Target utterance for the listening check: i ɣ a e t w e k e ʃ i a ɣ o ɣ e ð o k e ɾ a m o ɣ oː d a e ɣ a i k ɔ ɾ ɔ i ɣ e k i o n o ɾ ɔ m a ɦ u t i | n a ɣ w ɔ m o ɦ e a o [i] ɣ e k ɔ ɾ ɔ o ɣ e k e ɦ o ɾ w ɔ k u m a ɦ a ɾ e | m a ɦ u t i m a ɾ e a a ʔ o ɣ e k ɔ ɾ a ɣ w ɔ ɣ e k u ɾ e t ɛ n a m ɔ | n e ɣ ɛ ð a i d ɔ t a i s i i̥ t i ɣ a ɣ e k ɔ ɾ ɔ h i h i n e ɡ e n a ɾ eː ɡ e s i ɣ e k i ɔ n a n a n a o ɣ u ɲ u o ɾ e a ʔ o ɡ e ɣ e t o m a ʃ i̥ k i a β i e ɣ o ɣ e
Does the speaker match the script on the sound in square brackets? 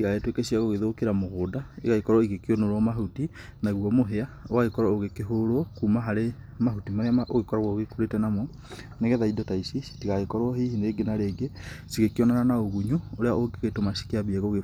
no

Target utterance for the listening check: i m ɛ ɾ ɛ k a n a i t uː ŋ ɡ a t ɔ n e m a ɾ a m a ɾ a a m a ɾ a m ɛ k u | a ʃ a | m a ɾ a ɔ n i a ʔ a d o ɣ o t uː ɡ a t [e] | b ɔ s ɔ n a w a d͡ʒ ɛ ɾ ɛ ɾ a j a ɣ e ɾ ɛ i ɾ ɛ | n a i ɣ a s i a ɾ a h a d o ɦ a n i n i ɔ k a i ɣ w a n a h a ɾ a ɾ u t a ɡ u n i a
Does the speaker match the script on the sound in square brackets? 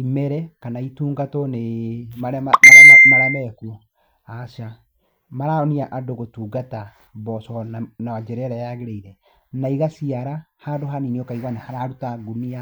no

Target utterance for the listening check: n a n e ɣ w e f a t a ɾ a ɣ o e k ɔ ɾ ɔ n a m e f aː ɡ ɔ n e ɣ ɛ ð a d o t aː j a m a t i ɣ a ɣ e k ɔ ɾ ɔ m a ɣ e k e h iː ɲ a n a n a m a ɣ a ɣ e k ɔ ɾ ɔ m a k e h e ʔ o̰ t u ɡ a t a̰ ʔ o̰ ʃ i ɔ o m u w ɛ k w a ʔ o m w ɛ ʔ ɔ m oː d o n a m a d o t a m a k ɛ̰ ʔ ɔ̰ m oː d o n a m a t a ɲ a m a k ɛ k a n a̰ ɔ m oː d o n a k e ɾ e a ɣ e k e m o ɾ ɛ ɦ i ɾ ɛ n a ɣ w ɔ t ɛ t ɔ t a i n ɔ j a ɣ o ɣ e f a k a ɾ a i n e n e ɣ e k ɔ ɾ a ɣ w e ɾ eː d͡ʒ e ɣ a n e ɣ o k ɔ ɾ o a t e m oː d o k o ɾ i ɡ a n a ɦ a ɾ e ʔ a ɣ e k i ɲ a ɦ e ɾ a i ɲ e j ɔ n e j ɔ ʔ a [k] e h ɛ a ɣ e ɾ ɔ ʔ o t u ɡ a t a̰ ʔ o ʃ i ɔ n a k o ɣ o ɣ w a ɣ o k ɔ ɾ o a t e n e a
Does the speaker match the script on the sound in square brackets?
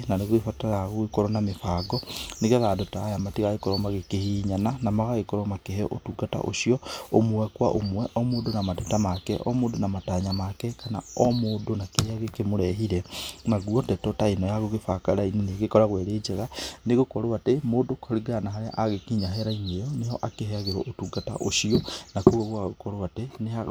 yes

